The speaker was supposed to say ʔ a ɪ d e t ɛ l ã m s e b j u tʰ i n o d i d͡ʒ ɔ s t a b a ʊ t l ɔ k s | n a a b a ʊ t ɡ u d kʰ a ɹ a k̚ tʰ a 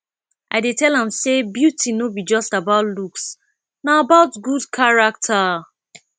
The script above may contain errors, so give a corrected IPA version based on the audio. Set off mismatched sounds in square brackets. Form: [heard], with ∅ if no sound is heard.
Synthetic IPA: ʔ a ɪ d e t ɛ l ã m s e b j u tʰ i n o [b] i d͡ʒ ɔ s t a b a ʊ t l [u] k s | n a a b a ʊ t ɡ u d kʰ a ɹ a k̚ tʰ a